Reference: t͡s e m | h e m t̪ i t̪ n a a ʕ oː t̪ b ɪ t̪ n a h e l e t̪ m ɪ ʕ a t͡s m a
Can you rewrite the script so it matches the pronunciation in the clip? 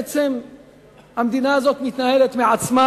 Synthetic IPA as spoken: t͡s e m | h a m d̪ i n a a z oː t̪ m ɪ t̪ n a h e l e t̪ m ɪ ʕ a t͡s m a